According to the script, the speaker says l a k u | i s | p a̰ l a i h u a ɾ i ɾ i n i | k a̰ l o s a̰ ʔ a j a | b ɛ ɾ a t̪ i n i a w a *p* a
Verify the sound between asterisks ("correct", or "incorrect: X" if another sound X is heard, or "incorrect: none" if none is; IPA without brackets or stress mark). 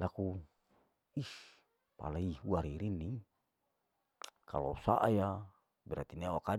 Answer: incorrect: k